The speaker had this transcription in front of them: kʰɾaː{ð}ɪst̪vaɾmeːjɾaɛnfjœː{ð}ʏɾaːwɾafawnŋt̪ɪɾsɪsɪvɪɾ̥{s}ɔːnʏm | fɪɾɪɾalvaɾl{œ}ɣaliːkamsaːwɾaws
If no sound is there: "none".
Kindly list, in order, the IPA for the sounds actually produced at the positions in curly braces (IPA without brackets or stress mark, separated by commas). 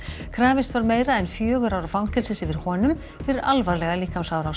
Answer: v, ɣ, h, ɛ